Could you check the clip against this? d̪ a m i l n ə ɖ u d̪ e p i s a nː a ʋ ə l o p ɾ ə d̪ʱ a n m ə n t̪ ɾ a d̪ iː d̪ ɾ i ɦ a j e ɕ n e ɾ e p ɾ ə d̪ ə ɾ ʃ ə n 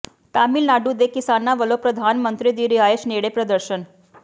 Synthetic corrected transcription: t̪ a m i l n a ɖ u d̪ e k i s a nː a ʋ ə l o p ɾ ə d̪ʱ a n m ə n t̪ ɾ i d̪ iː ɾ i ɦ a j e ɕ n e ɽ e p ɾ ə d̪ ə ɾ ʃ ə n

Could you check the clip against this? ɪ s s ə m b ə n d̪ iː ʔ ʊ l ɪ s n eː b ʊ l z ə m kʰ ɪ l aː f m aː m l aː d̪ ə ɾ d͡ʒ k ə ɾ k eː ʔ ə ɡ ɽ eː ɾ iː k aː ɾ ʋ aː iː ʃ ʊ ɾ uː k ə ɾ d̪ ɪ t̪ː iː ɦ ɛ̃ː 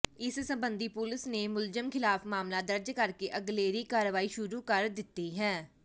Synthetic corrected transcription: ɪ s s ə m b ə n d̪ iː p ʊ l ɪ s n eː m ʊ l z ə m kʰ ɪ l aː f m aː m l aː d̪ ə ɾ d͡ʒ k ə ɾ k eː ʔ ə ɡ l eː ɾ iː k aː ɾ ʋ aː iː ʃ ʊ ɾ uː k ə ɾ d̪ ɪ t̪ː iː ɦ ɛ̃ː

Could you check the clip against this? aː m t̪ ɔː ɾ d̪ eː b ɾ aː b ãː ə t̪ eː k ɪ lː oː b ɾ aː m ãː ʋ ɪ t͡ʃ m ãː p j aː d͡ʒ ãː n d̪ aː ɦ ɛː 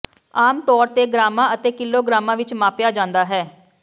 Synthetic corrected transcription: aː m t̪ ɔː ɾ t̪ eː ɡ ɾ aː m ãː ə t̪ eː k ɪ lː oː ɡ ɾ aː m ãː ʋ ɪ t͡ʃ m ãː p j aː d͡ʒ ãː n d̪ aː ɦ ɛː

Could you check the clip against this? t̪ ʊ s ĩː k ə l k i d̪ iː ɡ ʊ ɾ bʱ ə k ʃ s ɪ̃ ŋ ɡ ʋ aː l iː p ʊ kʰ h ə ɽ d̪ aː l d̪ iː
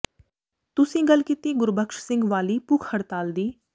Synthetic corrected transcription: t̪ ʊ s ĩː ɡ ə l k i t̪ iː ɡ ʊ ɾ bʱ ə k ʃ s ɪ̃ ŋ ɡ ʋ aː l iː p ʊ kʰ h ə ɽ t̪ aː l d̪ iː

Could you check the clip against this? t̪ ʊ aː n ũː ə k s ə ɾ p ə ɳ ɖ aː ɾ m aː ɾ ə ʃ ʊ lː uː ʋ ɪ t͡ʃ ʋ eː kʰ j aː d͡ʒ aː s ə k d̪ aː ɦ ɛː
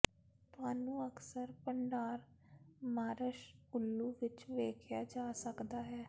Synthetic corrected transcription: t̪ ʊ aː n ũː ə k s ə ɾ p ə ɳ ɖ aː ɾ m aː ɾ ə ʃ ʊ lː uː ʋ ɪ t͡ʃ ʋ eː kʰ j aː d͡ʒ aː s ə k d̪ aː ɦ ɛː

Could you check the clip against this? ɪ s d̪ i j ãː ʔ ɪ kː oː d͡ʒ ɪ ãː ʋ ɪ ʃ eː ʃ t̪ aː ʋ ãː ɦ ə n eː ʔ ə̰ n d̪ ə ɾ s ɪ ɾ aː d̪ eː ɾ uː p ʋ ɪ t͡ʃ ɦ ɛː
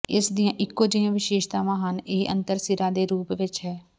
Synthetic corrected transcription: ɪ s d̪ i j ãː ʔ ɪ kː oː d͡ʒ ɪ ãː ʋ ɪ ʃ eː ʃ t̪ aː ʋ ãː ɦ ə n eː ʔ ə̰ n t̪ ə ɾ s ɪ ɾ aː d̪ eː ɾ uː p ʋ ɪ t͡ʃ ɦ ɛː

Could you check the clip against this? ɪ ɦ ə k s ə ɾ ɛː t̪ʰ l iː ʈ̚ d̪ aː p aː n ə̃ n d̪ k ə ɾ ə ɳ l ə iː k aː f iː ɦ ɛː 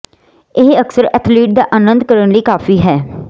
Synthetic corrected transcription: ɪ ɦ ə k s ə ɾ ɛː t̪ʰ l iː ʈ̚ d̪ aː ʔ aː n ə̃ n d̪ k ə ɾ ə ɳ l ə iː k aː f iː ɦ ɛː

